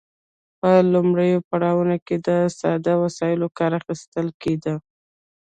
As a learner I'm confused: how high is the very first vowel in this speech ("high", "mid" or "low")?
mid